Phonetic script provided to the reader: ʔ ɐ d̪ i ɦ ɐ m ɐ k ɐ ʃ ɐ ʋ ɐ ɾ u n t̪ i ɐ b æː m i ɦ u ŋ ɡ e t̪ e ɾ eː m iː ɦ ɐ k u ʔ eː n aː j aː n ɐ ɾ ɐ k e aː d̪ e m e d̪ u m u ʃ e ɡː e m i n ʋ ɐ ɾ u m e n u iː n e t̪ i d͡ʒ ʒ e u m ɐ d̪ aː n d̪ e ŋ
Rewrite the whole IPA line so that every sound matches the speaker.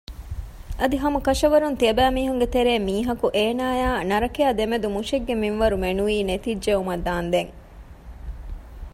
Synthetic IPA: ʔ ɐ d̪ i ɦ ɐ m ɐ k ɐ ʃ ɐ ʋ ɐ ɾ u n t̪ i ɐ b æː m iː ɦ u ŋ ɡ e t̪ e ɾ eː m iː ɦ ɐ k u ʔ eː n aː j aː n ɐ ɾ ɐ k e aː d̪ e m e d̪ u m u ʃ e ɡː e m i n ʋ ɐ ɾ u m e n u iː n e t̪ i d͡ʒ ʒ e u m ɐ d̪ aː n d̪ e ŋ